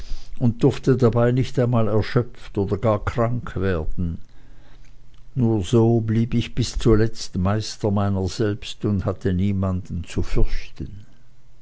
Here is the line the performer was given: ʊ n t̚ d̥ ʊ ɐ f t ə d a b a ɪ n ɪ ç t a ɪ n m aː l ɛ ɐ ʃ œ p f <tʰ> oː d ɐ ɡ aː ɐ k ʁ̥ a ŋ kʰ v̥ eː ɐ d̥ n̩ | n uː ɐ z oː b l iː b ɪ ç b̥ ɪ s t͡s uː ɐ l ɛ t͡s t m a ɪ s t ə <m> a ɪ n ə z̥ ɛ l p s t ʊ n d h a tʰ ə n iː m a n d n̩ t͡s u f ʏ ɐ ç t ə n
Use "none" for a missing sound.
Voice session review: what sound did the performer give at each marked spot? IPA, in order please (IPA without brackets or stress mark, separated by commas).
t, m